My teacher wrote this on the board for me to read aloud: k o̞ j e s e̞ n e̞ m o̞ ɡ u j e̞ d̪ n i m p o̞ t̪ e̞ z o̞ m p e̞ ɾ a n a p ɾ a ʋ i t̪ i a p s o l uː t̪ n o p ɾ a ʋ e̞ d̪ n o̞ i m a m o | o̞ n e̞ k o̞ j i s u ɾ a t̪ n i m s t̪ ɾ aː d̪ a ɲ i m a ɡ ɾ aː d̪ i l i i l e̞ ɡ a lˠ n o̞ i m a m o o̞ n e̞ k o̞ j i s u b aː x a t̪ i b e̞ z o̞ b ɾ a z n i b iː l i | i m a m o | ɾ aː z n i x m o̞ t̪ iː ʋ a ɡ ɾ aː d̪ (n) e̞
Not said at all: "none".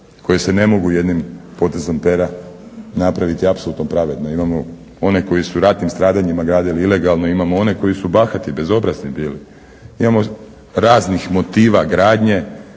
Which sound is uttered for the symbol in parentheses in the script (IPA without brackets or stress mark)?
ɲ